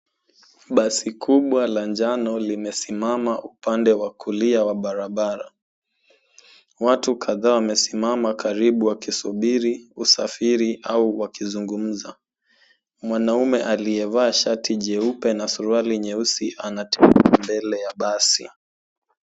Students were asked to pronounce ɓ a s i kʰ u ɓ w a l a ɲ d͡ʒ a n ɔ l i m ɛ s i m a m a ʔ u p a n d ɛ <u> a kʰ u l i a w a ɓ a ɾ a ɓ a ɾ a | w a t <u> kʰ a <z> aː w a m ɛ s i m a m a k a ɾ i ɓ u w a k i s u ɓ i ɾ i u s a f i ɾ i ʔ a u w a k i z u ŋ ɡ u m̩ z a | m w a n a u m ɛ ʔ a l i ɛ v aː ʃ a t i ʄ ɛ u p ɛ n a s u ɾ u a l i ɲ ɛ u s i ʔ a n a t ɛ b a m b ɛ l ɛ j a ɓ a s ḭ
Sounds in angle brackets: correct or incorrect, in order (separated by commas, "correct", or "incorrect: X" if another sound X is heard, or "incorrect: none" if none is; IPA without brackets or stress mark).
incorrect: w, correct, incorrect: ð